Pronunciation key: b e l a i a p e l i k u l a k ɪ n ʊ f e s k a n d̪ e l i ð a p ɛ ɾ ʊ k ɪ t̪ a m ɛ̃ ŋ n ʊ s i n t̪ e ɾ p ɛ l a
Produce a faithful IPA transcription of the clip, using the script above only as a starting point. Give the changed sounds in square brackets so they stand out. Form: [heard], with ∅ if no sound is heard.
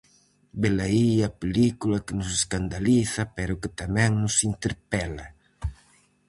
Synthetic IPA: b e l a i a p e l i k u l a k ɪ n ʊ [s] e s k a n d̪ [a] l i [θ] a p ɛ ɾ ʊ k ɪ t̪ a m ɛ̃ ŋ n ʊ s i n t̪ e ɾ p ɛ l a